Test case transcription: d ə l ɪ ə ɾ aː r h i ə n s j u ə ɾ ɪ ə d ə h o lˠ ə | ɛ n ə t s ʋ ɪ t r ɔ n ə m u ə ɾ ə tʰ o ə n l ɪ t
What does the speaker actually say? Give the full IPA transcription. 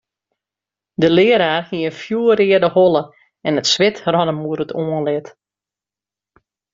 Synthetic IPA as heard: d ə l ɪ ə ɾ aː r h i ə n f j u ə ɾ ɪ ə d ə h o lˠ ə | ɛ n ə t s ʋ ɪ t r ɔ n ə m u ə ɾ ə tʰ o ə n l ɪ t